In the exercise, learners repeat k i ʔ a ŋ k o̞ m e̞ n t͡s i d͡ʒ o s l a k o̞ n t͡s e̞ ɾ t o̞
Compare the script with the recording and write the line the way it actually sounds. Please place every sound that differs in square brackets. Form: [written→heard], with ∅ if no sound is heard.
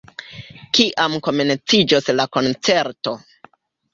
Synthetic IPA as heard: k i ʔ a [ŋ→m] k o̞ m e̞ n t͡s i d͡ʒ o s l a k o̞ n t͡s e̞ ɾ t o̞